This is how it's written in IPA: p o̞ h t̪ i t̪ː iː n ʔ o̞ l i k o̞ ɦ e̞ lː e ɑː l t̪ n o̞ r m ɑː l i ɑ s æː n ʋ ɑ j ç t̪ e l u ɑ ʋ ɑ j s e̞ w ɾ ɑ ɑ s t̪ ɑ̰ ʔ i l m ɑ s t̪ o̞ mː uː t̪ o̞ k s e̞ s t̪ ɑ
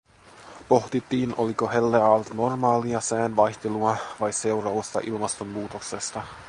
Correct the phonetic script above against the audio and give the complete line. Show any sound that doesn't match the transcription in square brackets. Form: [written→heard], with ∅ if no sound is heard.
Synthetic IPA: p o̞ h t̪ i t̪ː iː n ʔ o̞ l i k o̞ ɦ e̞ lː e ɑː l t̪ n o̞ r m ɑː l i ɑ s æː n ʋ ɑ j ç t̪ e l u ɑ ʋ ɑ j s e̞ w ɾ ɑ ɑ s t̪ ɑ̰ ʔ i l m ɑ s t̪ o̞ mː uː t̪ o̞ k s e̞ s t̪ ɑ